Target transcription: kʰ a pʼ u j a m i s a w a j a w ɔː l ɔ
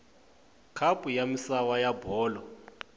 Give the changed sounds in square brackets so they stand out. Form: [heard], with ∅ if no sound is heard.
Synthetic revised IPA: kʰ a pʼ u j a m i s a w a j a [b] ɔː l ɔ